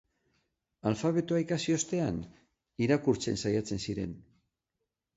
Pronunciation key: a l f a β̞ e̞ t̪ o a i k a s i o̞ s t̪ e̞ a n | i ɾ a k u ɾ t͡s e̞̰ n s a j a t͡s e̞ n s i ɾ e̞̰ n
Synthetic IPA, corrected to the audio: a l f a β̞ e̞ t̪ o a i k a s i o̞ s t̪ e̞ a n | i ɾ a k u ɾ t͡s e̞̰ n s a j a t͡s e̞ n s i ɾ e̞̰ n